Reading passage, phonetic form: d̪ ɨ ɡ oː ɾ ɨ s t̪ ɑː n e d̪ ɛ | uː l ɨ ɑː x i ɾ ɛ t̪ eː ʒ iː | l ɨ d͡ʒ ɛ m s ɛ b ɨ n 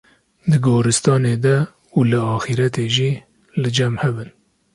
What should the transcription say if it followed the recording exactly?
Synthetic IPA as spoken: d̪ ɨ ɡ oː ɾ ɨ s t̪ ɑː n e d̪ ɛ | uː l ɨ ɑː x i ɾ ɛ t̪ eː ʒ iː | l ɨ d͡ʒ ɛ m h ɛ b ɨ n